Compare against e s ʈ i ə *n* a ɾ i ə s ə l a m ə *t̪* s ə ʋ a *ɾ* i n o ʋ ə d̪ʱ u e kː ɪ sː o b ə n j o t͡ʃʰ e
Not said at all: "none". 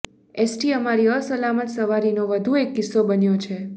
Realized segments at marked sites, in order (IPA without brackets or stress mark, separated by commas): m, t̪, ɾ